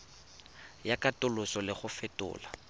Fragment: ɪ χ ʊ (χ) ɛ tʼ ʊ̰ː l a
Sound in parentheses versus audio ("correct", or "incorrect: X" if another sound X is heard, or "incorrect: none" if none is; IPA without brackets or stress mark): incorrect: f